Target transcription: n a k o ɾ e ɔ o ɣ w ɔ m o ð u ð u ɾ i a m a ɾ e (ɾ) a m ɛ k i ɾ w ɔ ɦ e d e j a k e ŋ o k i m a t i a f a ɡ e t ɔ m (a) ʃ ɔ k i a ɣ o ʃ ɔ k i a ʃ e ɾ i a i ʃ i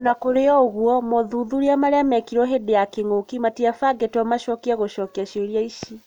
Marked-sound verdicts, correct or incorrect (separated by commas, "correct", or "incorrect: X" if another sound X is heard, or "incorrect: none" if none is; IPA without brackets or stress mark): incorrect: none, correct